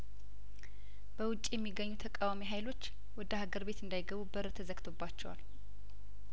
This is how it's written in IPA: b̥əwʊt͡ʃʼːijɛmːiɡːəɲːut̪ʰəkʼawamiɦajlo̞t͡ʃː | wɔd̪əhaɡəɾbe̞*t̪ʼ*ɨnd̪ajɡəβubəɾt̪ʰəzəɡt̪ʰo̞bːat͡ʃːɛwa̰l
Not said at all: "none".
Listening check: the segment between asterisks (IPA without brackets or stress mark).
t̪